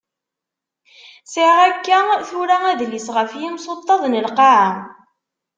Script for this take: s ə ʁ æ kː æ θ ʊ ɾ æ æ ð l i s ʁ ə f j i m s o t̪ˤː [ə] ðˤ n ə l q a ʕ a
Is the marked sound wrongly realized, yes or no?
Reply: yes